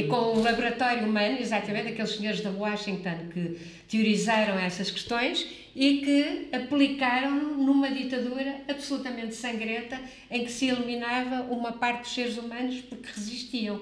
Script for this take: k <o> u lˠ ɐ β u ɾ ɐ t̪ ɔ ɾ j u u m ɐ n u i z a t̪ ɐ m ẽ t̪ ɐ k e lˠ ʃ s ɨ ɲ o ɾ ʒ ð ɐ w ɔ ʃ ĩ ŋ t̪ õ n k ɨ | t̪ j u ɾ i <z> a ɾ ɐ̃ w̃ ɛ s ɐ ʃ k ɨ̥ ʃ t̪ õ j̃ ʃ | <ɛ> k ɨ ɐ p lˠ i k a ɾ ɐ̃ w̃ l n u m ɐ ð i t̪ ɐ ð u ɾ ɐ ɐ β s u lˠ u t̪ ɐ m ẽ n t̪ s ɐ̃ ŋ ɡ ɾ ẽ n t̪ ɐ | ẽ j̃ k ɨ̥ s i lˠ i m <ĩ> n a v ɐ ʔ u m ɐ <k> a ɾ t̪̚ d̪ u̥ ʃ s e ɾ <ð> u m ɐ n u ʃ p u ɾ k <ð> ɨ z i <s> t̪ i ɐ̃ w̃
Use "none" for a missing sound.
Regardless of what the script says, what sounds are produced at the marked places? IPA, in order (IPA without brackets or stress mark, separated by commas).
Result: õ, z, i, i, p, z, ʁ, ʃ